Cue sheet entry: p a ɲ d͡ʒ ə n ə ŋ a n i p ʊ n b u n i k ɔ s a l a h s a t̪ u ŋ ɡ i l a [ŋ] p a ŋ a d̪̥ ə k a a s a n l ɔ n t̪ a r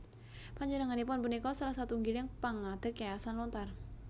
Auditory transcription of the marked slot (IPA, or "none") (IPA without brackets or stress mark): ŋ